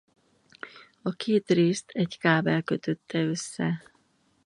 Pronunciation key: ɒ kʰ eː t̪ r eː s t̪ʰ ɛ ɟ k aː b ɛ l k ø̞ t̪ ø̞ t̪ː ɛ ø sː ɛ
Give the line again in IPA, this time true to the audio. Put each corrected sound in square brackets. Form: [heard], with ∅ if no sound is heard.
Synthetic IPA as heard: ɒ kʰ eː t̪ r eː s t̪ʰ ɛ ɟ k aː b ɛ l k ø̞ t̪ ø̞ t̪ː ɛ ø sː ɛ